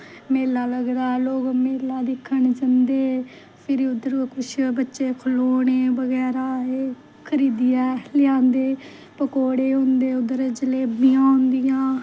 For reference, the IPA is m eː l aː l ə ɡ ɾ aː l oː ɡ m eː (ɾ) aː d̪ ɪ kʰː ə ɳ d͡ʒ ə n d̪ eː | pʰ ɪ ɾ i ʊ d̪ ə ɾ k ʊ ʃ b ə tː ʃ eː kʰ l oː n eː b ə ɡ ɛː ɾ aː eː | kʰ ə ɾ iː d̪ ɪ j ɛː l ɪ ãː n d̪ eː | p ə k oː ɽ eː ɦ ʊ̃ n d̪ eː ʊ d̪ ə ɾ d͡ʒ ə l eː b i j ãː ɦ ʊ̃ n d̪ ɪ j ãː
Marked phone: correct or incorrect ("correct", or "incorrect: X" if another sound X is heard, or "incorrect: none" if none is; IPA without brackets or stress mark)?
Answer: incorrect: l